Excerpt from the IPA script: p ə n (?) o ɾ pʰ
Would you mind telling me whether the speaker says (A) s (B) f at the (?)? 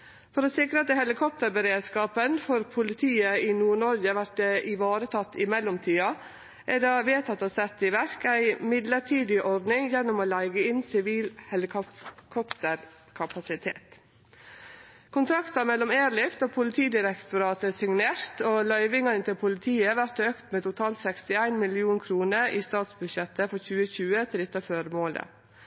B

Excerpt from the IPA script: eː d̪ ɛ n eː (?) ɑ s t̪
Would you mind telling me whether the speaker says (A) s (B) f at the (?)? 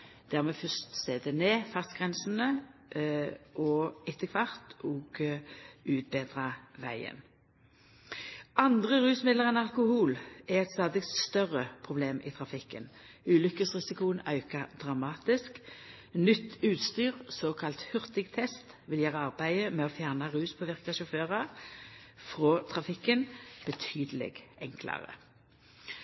B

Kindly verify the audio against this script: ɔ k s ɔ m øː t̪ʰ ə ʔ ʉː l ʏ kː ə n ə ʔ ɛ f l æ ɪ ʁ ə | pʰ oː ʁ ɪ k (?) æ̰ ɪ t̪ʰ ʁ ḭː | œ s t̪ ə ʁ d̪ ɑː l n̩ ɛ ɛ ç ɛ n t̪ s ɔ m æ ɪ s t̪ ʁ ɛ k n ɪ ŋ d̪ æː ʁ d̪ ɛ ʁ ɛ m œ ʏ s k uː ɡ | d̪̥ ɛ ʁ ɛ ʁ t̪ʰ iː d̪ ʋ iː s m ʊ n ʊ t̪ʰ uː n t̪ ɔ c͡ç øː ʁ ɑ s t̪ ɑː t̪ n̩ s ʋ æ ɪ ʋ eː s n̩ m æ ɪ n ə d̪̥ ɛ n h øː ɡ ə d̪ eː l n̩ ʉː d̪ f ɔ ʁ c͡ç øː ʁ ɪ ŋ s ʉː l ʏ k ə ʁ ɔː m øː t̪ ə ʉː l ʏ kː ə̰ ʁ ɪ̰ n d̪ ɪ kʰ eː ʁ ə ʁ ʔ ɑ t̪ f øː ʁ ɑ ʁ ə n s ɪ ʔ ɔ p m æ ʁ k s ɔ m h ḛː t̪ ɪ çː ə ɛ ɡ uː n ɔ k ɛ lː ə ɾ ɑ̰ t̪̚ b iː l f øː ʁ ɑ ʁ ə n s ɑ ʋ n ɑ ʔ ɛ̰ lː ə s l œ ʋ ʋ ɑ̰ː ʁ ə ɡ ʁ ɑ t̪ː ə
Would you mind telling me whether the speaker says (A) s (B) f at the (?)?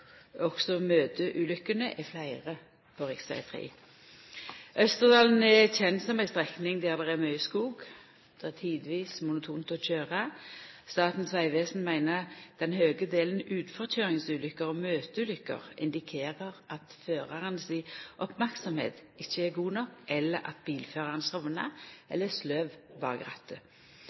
A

